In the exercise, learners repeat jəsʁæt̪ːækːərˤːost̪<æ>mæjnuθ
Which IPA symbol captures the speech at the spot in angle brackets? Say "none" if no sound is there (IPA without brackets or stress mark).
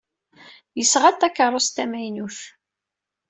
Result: æ